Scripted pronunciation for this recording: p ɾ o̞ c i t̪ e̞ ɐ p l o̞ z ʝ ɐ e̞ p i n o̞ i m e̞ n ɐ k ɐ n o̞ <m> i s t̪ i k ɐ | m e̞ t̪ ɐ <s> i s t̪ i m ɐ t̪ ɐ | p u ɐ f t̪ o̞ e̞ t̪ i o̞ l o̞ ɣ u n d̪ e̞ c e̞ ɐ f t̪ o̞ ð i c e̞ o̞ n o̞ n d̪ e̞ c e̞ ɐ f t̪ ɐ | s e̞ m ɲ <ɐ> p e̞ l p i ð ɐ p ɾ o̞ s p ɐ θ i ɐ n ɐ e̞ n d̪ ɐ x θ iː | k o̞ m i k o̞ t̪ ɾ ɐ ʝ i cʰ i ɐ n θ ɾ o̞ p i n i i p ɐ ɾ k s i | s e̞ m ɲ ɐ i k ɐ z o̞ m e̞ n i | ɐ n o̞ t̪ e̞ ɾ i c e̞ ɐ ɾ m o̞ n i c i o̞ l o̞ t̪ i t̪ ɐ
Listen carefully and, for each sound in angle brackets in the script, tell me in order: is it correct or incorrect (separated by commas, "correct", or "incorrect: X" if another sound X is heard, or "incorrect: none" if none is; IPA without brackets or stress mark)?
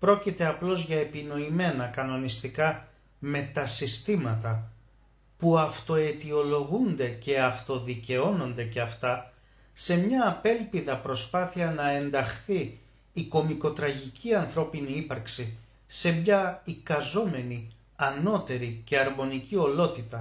incorrect: n, correct, incorrect: ɐː